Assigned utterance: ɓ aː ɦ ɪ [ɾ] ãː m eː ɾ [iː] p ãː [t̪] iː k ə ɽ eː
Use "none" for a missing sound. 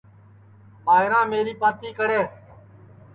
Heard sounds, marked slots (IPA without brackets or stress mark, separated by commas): ɾ, iː, t̪